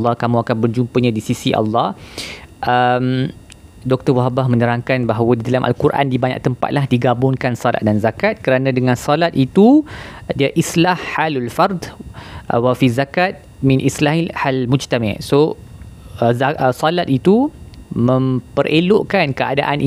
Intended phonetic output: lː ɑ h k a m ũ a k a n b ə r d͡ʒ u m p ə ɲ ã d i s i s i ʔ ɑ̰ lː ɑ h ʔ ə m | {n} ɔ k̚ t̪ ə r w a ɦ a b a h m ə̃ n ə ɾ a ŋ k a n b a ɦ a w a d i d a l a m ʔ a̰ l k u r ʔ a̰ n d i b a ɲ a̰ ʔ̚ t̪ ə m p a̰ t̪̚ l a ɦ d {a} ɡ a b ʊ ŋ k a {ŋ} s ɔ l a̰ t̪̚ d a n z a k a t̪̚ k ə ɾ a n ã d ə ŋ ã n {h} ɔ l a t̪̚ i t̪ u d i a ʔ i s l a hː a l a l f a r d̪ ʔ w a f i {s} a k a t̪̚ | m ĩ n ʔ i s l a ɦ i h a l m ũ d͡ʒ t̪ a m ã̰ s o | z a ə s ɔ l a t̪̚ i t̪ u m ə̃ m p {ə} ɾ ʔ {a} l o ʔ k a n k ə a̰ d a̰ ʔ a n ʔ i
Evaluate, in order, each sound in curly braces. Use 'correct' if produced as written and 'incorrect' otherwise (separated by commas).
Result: incorrect, incorrect, incorrect, incorrect, incorrect, correct, incorrect